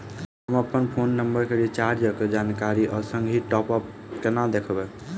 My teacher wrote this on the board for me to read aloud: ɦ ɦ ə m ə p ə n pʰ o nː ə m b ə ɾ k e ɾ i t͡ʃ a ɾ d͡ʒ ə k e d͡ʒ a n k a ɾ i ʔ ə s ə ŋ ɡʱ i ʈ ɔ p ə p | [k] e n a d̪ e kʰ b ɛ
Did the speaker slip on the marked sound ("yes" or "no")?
no